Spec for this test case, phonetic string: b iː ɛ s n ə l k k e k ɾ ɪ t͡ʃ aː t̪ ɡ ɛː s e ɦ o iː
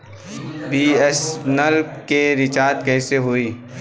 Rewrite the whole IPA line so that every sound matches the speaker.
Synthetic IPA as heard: b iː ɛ s n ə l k k e ɾ ɪ t͡ʃ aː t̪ k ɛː s e ɦ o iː